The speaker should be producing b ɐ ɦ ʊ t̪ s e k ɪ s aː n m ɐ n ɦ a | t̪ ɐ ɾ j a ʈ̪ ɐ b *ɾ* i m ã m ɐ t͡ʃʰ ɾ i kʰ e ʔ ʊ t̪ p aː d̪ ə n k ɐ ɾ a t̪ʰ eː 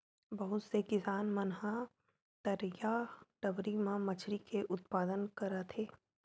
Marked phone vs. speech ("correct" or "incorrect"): correct